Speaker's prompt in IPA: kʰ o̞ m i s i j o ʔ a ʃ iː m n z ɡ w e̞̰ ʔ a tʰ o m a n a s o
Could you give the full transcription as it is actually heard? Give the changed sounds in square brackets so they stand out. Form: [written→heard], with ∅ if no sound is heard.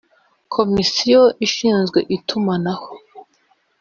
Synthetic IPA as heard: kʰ o̞ m i s i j o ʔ [a→i] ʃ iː [m→∅] n z ɡ w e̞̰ ʔ [a→i] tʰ [o→u] m a n a [s→h] o